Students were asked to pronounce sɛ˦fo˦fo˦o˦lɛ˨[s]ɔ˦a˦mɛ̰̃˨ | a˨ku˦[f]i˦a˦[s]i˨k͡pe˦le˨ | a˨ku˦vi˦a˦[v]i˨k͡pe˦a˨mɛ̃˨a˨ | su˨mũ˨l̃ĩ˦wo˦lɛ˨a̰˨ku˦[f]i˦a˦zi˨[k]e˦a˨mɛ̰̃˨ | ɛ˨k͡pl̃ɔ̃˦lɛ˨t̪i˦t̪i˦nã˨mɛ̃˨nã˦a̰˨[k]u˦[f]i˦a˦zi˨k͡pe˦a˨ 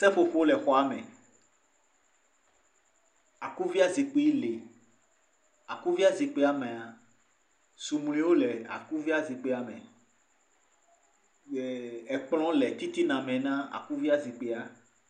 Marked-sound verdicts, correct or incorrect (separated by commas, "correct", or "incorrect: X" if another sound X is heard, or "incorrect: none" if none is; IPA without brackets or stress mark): incorrect: x, incorrect: v, incorrect: z, incorrect: z, incorrect: v, incorrect: k͡p, correct, incorrect: v